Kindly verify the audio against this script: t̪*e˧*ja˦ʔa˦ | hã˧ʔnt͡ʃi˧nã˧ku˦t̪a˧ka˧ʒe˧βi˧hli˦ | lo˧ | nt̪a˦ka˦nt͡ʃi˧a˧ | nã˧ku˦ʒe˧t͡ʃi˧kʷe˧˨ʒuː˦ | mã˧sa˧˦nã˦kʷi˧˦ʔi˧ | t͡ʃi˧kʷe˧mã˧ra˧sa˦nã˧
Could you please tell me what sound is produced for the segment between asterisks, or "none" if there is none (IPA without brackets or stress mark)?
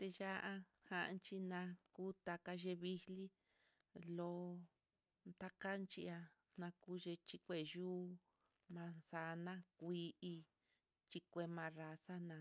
e˧